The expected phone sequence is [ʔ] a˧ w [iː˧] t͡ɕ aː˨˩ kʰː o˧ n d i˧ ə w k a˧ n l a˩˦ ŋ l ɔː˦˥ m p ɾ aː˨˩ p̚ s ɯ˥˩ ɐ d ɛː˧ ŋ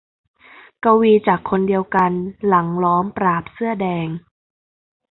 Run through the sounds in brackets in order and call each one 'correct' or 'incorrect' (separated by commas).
incorrect, correct